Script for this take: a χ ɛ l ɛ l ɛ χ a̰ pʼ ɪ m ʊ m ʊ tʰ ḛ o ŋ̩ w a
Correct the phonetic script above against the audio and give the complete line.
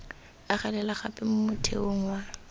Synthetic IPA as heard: a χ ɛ l ɛ l a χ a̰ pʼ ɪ m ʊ m ʊ tʰ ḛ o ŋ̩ w a